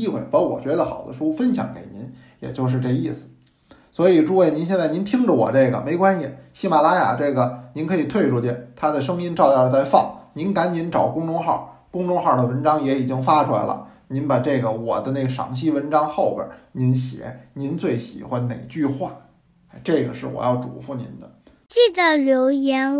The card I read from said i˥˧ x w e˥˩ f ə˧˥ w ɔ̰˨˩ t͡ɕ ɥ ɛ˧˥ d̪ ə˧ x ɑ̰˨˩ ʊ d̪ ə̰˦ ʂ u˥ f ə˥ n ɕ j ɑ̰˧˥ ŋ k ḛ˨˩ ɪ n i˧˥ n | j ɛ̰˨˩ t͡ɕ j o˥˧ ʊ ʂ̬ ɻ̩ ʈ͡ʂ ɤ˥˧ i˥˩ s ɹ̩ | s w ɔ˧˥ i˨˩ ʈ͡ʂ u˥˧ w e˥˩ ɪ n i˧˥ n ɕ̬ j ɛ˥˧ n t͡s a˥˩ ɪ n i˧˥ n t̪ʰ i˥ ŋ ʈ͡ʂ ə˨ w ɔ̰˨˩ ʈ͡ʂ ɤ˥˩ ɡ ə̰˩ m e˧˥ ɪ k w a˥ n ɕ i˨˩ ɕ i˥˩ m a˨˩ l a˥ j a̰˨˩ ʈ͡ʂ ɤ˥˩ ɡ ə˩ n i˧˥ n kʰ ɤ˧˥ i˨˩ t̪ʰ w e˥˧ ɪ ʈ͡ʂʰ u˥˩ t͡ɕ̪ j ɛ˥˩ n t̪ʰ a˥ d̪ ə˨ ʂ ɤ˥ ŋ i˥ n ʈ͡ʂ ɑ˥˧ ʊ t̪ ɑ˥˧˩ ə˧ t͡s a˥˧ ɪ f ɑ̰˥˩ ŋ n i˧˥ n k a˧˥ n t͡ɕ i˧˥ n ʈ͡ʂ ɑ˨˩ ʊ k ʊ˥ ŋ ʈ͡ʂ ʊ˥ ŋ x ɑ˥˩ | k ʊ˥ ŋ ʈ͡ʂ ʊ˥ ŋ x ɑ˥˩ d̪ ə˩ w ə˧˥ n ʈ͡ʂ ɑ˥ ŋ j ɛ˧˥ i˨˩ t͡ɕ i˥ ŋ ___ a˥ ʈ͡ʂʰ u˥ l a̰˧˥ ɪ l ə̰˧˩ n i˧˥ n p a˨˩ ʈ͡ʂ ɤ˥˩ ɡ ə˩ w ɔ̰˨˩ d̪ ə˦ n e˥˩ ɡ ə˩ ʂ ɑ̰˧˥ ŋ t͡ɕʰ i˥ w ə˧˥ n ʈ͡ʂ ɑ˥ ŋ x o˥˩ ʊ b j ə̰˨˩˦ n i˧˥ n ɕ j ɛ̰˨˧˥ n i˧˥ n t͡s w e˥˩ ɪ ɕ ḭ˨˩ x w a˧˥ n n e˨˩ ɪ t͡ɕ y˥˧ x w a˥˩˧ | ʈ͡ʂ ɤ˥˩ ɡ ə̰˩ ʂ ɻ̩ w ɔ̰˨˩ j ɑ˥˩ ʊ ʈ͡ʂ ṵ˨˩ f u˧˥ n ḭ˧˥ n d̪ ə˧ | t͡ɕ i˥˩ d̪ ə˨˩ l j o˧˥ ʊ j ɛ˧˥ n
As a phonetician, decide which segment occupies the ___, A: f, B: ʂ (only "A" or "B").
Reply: A